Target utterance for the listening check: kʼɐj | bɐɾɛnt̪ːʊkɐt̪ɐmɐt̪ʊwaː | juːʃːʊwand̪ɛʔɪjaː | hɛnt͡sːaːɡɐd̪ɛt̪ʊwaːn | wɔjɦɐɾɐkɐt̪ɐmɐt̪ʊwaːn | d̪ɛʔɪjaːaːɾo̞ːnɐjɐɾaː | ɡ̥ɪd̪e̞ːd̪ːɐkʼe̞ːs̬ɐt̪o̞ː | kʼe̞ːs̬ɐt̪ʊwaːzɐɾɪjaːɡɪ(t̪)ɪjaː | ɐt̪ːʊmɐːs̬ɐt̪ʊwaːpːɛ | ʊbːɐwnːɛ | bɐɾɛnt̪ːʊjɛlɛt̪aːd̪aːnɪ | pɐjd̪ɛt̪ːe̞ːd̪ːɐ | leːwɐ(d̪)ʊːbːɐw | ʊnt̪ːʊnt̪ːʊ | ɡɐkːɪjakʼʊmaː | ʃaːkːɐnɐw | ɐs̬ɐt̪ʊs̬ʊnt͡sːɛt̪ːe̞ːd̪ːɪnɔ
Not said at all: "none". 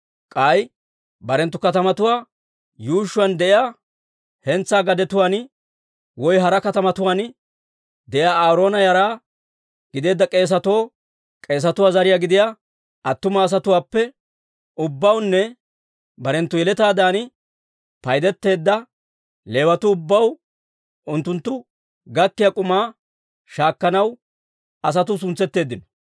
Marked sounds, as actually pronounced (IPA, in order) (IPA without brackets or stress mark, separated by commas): d̪, t̪